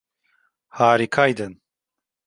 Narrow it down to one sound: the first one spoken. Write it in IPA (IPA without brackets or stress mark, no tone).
h